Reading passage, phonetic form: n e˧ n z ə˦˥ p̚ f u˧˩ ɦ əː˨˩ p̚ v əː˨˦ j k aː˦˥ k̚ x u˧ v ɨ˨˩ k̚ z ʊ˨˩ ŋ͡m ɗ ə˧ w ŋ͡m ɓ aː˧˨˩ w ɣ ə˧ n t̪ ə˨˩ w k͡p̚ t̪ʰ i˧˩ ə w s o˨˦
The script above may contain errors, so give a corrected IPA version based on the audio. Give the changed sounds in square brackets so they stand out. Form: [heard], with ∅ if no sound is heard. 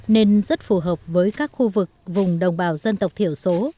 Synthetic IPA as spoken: n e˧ n z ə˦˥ [t̚] f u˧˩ ɦ əː˨˩ p̚ v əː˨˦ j k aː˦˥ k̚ x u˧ v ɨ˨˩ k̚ [v] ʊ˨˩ ŋ͡m ɗ [ə˨˩] w ŋ͡m ɓ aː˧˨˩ w [z] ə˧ n t̪ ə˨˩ w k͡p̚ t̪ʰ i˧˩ ə w s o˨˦